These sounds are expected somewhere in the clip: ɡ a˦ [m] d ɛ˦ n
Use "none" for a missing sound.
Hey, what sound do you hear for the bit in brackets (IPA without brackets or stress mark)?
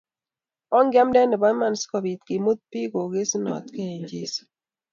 m